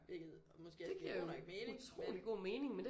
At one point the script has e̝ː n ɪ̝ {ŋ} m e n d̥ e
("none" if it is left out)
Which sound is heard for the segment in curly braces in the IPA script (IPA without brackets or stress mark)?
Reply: ŋ